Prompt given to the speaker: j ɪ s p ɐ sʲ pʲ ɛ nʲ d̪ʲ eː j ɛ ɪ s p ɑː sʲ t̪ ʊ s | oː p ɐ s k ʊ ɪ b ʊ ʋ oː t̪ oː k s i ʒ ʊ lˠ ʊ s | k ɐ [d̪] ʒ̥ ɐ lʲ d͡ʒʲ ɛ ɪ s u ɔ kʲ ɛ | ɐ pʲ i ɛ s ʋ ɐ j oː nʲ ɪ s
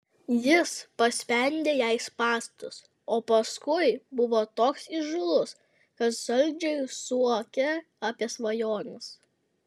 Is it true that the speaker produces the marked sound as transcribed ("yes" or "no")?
no